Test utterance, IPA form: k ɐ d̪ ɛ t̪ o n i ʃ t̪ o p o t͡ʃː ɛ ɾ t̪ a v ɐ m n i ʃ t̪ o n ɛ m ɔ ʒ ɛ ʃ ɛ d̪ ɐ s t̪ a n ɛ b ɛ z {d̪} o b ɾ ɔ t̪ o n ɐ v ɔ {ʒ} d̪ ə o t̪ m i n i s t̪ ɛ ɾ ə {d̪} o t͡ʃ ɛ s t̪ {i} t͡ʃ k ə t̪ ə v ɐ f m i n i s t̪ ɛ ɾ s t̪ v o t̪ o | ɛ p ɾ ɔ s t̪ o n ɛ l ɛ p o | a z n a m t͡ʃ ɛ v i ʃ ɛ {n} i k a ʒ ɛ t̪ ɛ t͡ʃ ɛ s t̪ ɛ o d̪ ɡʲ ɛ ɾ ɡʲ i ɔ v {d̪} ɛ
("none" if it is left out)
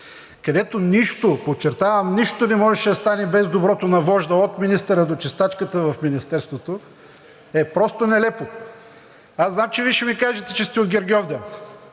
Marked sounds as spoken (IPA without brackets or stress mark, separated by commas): d̪, ʒ, d̪, a, m, d̪